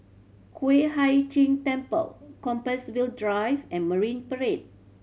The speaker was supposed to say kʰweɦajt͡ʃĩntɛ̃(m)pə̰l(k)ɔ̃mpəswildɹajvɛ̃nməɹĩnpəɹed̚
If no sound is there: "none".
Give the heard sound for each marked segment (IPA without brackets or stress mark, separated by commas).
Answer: m, k